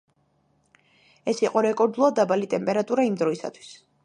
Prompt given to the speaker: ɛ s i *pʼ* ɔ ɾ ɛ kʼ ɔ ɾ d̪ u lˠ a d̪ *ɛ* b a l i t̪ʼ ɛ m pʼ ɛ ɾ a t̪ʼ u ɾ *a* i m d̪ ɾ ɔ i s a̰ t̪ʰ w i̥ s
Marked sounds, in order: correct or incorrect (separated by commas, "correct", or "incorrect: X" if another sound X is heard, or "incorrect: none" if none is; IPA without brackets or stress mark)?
incorrect: qʼ, incorrect: a, correct